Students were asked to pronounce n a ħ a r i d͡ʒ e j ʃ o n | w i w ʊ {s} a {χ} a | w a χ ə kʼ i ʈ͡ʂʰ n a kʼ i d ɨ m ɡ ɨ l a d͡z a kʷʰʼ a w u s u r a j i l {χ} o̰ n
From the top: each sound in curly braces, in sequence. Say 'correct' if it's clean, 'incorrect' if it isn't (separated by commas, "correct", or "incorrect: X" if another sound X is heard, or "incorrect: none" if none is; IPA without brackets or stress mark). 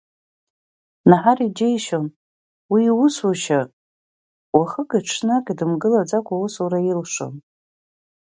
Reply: correct, incorrect: ʃ, incorrect: ʂ